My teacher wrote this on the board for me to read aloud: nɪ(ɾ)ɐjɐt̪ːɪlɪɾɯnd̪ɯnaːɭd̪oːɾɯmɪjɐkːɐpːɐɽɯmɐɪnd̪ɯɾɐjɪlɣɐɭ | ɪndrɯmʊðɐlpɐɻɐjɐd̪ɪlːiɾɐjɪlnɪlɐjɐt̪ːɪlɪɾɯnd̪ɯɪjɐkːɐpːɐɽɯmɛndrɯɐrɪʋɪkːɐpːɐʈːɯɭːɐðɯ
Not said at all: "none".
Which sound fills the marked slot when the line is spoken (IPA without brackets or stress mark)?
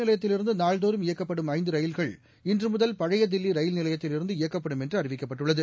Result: l